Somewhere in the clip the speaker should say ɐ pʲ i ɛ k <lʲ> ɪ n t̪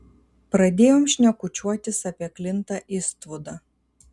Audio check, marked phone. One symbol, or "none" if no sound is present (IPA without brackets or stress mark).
lʲ